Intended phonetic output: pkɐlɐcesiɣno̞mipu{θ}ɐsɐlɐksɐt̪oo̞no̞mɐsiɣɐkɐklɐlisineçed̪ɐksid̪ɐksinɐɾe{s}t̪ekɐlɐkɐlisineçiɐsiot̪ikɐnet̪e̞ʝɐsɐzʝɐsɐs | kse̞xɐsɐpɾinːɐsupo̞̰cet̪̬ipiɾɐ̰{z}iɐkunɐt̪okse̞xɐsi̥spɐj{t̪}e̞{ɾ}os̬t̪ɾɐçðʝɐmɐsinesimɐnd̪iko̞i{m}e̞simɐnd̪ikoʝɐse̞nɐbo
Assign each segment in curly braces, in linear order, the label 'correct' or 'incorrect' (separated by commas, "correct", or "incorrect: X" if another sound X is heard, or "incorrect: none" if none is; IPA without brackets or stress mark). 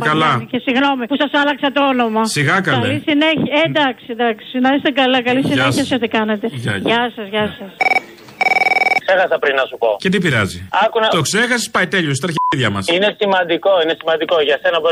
incorrect: s, correct, correct, correct, incorrect: ʎ, incorrect: n